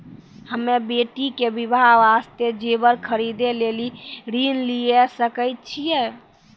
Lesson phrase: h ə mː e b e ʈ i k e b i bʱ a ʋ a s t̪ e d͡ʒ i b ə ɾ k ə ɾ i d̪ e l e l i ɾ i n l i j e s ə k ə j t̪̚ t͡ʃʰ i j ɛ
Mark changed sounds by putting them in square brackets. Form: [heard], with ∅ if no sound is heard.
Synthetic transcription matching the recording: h ə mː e b e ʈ i k e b i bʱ a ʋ a s t̪ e d͡ʒ [e] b ə ɾ [kʰ] ə ɾ i d̪ e l e l i ɾ i n l i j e s ə k ə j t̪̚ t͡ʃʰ i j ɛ